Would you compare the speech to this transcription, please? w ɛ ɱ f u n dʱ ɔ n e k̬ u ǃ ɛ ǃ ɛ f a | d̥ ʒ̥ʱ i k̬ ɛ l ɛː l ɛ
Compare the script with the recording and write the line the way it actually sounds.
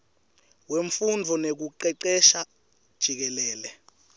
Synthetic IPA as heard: w e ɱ f u n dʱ ɔ n e k̬ u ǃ ɛ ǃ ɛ ʃ a | d̥ ʒ̥ʱ i k̬ ɛ l ɛː l ɛ